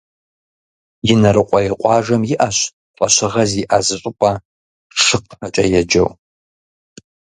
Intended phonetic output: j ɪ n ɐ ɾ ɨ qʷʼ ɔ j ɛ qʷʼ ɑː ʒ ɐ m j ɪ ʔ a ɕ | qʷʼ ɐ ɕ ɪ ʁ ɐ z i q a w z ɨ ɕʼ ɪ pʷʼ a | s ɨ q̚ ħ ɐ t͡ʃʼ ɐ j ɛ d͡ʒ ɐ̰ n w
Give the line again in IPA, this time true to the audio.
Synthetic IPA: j ɪ n ɐ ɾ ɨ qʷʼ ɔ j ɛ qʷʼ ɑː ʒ ɐ m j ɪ ʔ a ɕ | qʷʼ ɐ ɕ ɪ ʁ ɐ z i ʔ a z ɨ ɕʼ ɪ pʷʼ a | ʂ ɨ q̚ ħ ɐ t͡ʃʼ ɐ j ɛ d͡ʒ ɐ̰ w